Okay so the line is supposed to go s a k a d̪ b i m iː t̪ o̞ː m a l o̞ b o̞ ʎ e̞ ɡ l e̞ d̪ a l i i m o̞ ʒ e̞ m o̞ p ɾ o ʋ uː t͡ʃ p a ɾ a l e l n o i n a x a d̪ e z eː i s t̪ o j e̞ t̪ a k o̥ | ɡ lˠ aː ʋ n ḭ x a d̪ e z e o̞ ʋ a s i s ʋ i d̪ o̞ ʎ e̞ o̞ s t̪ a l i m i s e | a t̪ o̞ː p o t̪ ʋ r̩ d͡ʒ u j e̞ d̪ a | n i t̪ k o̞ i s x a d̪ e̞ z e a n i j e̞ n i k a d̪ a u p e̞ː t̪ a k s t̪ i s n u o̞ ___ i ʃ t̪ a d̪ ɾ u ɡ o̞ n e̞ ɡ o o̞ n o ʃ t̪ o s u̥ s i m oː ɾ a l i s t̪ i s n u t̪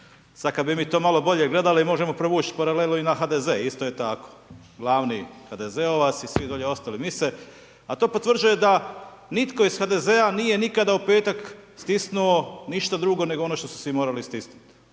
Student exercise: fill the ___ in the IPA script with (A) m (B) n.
B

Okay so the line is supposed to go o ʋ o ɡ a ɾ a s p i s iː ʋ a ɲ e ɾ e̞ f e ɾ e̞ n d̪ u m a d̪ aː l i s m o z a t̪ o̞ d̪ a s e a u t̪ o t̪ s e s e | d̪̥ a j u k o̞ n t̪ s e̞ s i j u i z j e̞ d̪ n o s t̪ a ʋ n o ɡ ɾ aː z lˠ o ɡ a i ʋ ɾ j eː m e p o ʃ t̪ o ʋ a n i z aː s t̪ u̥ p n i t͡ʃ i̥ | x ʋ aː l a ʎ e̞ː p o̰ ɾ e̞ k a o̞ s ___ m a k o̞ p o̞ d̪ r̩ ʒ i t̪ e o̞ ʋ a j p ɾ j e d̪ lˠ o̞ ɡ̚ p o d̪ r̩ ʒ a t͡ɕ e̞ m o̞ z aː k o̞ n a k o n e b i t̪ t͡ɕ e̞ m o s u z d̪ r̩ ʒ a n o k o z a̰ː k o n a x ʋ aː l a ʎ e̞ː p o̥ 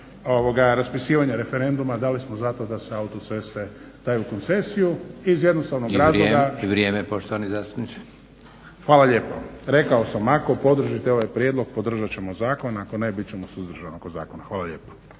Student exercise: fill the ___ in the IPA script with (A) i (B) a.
B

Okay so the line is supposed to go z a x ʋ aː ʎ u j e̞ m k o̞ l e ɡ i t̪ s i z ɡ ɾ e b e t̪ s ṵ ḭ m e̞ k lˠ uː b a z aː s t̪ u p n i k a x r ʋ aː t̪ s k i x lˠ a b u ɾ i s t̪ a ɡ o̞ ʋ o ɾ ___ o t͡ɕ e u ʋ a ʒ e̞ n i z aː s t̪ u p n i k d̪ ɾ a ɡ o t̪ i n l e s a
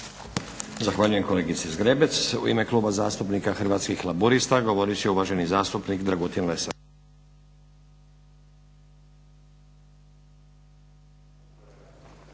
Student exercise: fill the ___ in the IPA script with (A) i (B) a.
A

